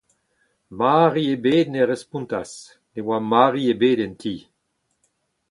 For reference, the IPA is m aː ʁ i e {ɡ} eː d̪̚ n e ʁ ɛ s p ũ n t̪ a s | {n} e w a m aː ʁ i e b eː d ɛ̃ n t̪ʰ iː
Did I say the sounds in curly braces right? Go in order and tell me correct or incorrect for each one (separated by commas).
incorrect, correct